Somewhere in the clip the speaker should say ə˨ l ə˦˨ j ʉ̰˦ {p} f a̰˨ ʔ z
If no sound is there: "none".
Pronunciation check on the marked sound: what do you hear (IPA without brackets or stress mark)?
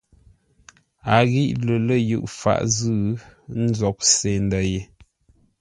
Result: ʔ